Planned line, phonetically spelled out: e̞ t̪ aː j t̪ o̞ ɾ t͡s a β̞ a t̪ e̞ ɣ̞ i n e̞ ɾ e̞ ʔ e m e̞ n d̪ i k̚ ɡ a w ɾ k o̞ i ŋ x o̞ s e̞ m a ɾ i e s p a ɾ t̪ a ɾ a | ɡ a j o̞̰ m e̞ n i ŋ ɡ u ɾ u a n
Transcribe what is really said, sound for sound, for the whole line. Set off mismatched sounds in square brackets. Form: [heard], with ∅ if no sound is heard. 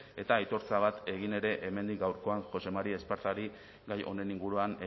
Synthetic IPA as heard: e̞ t̪ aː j t̪ o̞ ɾ t͡s a β̞ a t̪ e̞ ɣ̞ i n e̞ ɾ e̞ ʔ e m e̞ n d̪ i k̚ ɡ a w ɾ k o̞ [a] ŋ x o̞ s e̞ m a ɾ i e s p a ɾ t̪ a ɾ [i] | ɡ a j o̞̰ [n] e̞ n i ŋ ɡ u ɾ u a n